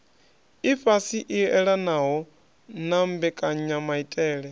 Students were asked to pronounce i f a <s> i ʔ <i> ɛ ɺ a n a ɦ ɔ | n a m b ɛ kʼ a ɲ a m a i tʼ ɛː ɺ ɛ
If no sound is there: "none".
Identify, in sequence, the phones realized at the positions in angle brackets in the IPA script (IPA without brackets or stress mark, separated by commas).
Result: s, i